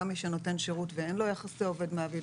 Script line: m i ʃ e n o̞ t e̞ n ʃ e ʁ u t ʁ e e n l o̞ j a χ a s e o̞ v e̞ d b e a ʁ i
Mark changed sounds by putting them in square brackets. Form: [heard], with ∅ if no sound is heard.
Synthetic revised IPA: m i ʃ e n o̞ t e̞ n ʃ e ʁ u t [v] e e n l o̞ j a χ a s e o̞ v e̞ d [m] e a [v] i